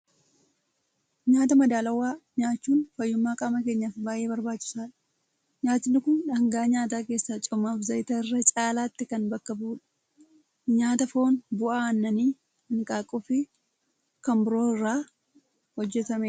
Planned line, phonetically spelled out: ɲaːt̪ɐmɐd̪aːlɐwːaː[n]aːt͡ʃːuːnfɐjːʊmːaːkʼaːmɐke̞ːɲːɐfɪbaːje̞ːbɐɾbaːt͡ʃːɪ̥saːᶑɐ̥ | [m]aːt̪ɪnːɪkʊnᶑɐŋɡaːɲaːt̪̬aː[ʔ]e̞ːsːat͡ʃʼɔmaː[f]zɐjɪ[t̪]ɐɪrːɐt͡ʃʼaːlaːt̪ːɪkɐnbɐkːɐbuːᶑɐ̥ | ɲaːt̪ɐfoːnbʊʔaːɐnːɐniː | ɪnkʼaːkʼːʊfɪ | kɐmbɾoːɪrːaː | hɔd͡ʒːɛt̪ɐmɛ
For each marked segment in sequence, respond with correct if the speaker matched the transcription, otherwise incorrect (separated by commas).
incorrect, incorrect, incorrect, correct, correct